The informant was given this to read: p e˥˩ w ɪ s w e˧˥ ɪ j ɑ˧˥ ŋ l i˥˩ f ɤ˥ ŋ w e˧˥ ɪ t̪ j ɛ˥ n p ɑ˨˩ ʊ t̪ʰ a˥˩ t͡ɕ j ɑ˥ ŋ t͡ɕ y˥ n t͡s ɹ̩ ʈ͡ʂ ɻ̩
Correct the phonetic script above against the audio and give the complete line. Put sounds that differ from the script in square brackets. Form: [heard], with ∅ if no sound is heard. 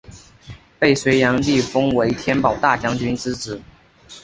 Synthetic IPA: p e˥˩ [∅] ɪ s w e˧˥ ɪ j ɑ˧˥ ŋ l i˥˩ f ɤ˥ ŋ w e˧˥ ɪ [t̪ʰ] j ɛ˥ n p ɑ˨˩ ʊ [t̪] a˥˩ t͡ɕ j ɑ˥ ŋ t͡ɕ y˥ n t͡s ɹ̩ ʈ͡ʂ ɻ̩